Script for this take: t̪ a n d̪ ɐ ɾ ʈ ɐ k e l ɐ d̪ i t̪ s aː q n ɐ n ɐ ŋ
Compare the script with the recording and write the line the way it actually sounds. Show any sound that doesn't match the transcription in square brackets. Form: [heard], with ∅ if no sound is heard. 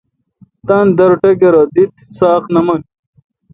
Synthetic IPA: t̪ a n d̪ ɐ ɾ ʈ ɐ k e [ɾ] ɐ d̪ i t̪ s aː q n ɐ [m] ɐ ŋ